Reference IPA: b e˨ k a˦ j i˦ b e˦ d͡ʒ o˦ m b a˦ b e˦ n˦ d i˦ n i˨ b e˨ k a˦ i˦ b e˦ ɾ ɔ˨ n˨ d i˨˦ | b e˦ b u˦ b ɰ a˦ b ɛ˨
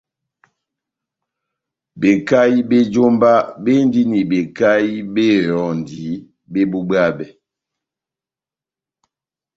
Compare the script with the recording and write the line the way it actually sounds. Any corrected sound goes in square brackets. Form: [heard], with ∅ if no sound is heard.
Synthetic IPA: b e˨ k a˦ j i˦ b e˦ d͡ʒ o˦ m b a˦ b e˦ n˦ d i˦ n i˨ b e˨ k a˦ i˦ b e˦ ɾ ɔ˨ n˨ d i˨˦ | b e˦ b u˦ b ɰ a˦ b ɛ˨